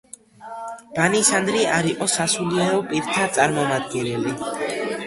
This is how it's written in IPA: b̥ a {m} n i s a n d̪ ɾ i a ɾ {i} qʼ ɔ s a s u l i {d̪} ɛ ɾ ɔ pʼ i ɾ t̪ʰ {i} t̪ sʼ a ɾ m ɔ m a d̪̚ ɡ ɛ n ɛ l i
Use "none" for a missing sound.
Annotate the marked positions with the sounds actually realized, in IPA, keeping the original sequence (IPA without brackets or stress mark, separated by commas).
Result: none, i, none, a